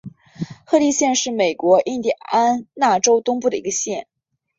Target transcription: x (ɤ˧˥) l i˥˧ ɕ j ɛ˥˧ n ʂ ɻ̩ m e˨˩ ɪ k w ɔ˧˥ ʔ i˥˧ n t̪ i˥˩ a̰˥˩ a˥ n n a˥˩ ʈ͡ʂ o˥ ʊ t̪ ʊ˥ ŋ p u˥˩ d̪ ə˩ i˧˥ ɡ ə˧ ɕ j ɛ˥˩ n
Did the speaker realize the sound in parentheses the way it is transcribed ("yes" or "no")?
no